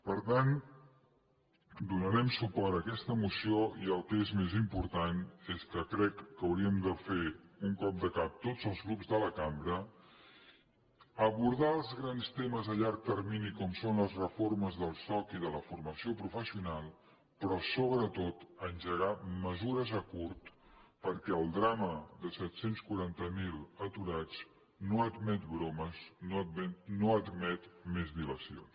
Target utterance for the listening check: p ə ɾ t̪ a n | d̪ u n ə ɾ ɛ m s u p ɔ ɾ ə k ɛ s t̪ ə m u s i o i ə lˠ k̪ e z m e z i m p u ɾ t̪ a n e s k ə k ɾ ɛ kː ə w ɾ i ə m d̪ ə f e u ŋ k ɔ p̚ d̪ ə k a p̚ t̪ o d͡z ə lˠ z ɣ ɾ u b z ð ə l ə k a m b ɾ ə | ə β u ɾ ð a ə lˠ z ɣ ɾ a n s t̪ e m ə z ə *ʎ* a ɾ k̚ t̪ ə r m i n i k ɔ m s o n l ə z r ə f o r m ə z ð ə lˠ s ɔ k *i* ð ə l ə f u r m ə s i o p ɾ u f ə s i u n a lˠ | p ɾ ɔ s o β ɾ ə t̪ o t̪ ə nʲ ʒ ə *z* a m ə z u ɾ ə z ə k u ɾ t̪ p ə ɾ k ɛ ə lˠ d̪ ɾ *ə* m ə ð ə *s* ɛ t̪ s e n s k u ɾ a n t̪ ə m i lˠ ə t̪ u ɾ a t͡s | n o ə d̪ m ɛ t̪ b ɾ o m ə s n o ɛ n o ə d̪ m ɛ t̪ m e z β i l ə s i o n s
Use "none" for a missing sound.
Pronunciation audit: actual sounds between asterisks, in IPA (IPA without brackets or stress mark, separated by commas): ʎ, i, ɣ, a, s